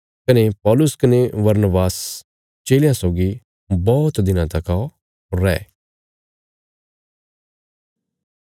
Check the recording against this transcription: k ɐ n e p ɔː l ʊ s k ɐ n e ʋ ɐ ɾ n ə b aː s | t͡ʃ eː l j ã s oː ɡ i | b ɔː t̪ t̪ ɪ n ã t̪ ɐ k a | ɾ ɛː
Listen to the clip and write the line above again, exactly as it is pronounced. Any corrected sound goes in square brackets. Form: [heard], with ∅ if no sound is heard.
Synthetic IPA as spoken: k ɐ n e p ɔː l ʊ s k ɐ n e ʋ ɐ ɾ n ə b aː s | t͡ʃ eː l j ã s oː ɡ i | b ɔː t̪ [d̪] ɪ n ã t̪ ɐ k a | ɾ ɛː